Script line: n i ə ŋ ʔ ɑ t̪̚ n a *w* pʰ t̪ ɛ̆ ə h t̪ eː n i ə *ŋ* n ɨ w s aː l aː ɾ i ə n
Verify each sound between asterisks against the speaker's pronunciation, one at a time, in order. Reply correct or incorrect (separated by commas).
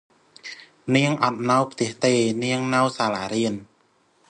correct, correct